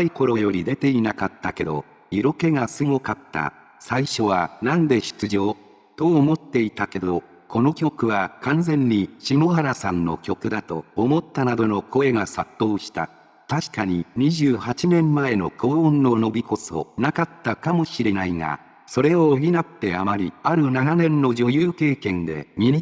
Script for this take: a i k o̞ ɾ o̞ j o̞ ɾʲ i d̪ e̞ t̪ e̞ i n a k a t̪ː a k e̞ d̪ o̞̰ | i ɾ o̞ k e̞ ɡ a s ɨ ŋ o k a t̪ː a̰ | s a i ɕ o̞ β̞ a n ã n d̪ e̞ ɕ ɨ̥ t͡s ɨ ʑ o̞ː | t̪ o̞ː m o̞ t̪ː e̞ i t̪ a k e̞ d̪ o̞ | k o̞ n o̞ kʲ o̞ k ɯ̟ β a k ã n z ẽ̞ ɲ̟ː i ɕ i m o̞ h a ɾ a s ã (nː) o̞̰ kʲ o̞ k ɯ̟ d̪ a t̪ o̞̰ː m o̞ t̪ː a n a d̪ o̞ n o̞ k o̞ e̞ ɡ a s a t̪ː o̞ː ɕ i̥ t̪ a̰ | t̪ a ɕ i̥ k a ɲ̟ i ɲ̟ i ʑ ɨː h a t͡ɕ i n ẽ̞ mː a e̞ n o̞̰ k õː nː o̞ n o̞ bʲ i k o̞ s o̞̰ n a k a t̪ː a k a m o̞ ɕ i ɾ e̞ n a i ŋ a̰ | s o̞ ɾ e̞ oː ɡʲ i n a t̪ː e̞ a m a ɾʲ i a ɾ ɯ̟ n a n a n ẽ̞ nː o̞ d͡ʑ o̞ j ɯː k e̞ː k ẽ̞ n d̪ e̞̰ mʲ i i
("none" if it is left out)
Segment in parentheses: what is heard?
nː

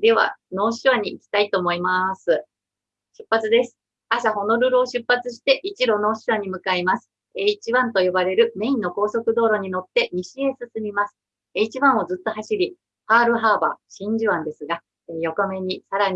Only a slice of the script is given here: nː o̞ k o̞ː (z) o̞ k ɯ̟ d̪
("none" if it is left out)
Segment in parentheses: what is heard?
s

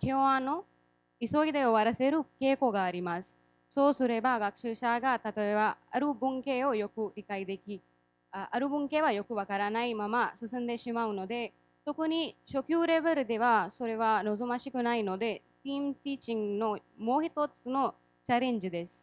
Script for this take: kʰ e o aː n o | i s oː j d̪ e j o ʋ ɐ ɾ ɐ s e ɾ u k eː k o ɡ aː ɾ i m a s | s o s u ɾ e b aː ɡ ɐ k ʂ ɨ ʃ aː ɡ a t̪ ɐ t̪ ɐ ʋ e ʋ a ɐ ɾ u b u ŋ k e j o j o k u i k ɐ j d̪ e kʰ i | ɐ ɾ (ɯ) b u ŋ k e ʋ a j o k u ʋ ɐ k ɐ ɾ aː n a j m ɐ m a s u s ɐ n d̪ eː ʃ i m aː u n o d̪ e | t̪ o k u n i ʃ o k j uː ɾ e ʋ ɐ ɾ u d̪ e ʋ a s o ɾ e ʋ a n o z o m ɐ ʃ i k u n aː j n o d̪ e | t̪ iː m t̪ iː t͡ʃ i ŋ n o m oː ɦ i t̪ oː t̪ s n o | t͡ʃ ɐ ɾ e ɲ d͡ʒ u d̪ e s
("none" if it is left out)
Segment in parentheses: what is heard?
u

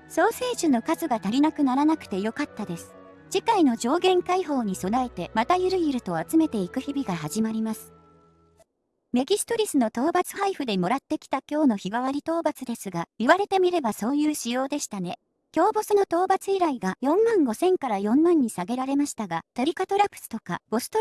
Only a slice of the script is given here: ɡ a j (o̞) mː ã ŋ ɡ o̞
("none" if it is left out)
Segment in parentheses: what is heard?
õ̞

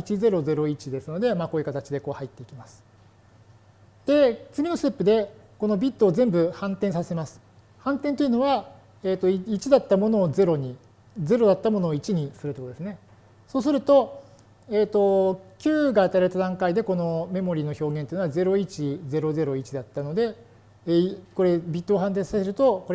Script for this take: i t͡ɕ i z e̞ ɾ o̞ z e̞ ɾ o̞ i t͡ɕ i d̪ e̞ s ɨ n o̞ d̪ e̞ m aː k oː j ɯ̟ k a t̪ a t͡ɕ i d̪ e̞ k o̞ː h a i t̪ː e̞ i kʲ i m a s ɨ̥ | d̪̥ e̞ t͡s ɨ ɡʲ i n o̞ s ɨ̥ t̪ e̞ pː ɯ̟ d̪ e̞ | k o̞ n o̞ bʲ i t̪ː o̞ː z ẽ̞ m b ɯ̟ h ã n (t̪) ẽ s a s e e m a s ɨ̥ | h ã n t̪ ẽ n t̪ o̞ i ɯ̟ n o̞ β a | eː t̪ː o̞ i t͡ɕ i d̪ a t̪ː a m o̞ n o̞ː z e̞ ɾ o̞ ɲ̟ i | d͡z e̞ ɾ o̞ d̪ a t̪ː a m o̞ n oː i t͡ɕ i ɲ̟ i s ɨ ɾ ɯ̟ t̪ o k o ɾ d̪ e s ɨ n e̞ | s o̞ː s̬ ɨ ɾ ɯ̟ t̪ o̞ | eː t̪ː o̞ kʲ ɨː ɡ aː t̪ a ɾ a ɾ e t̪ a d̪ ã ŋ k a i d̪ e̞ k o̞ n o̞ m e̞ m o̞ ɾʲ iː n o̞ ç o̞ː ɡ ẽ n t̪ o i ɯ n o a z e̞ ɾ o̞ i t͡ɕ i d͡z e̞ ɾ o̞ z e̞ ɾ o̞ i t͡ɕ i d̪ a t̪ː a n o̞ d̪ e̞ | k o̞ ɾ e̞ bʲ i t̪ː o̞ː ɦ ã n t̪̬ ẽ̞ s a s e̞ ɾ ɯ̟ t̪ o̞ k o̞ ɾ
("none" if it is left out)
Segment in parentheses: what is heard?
t̪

